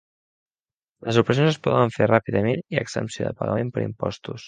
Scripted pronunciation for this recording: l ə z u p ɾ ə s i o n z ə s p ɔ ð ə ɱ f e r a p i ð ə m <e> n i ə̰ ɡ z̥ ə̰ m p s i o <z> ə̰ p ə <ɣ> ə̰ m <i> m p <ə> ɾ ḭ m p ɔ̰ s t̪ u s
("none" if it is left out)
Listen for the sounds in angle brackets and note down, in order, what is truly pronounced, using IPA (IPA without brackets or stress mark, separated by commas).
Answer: e, ð, ɣ, e, ə